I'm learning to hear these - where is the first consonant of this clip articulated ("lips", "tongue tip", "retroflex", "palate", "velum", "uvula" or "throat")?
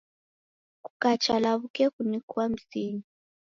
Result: velum